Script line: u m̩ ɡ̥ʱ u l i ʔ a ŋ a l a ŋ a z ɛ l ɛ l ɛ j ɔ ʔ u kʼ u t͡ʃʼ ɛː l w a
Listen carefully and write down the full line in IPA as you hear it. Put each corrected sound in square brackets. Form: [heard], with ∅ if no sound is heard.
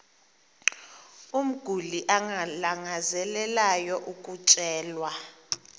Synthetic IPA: u m̩ ɡ̥ʱ u l i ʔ a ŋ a l a ŋ a z ɛ l ɛ l [a] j ɔ ʔ u kʼ u t͡ʃʼ ɛː l w a